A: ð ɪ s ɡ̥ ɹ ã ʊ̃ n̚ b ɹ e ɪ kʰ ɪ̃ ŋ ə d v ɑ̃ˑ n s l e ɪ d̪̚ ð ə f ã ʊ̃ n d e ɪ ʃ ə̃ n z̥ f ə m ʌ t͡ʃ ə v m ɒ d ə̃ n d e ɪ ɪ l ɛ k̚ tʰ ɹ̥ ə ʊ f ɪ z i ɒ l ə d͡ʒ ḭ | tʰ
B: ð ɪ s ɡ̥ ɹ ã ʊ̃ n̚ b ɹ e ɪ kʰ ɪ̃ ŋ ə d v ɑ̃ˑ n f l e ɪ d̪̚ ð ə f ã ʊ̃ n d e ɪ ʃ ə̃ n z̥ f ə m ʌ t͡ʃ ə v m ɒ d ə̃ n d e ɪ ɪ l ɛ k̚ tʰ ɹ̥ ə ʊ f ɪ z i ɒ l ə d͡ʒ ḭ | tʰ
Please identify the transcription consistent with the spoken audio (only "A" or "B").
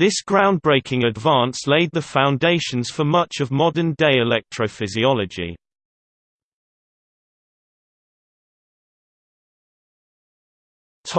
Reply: A